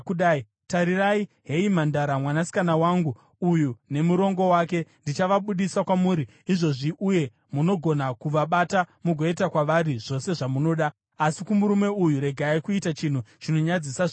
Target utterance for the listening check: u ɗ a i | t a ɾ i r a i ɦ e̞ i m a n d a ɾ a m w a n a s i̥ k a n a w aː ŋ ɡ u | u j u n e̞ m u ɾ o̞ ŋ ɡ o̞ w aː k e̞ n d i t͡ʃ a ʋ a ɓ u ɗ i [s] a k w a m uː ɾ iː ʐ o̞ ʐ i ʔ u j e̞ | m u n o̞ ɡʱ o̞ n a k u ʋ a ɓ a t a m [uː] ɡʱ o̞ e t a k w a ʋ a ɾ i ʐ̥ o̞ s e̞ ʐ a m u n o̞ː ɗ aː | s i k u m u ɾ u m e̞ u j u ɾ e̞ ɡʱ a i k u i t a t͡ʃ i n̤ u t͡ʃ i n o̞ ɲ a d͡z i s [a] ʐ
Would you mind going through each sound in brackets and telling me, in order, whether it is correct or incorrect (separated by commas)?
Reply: correct, incorrect, correct